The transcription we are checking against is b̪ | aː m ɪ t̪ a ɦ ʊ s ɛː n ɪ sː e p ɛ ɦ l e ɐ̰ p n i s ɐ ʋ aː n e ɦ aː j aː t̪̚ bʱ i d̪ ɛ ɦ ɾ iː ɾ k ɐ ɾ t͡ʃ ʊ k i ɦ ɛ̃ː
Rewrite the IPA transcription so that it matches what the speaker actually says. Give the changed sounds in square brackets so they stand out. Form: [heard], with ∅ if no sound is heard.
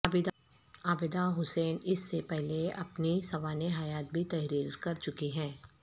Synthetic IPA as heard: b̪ | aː [b] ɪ [d̪] a ɦ ʊ s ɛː n ɪ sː e p ɛ ɦ l e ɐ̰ p n i s ɐ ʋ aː n e ɦ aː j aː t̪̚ bʱ i [t̪] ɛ ɦ ɾ iː ɾ k ɐ ɾ t͡ʃ ʊ k i ɦ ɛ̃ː